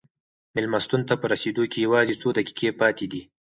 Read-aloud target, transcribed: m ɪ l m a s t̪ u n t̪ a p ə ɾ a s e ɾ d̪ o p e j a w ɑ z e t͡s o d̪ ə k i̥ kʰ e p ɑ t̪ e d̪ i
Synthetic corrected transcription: m ɪ l m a s t̪ u n t̪ a p ə ɾ a s e d̪ o k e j a w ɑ z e t͡s o d̪ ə k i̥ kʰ e p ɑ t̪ e d̪ i